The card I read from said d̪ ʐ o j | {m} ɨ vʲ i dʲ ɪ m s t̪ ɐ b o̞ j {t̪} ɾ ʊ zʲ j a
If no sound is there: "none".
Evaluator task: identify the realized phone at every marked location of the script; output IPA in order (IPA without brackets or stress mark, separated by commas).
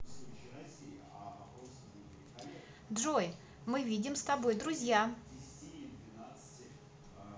m, d̪